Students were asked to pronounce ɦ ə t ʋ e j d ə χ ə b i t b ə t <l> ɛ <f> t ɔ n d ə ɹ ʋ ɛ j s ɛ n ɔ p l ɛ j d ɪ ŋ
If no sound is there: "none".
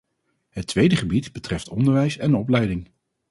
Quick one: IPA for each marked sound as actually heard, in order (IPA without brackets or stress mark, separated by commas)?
r, f